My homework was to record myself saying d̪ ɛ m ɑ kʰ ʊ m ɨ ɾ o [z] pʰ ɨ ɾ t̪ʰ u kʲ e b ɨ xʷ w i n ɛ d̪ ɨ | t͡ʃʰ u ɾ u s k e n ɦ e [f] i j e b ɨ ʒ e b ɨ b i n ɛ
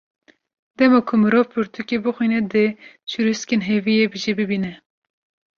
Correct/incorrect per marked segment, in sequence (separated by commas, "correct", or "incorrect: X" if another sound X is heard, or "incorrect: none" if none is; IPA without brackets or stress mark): incorrect: v, incorrect: v